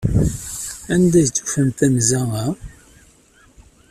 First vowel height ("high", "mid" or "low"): low